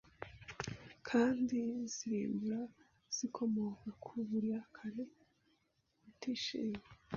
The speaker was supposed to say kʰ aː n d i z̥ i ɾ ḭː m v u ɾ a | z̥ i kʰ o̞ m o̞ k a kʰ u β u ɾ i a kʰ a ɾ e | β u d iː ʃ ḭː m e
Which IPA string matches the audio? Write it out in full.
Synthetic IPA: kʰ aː n d i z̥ i ɾ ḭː m b u ɾ a | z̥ i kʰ o̞ m o̞ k a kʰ u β u ɾ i a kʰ a ɾ e | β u t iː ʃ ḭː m e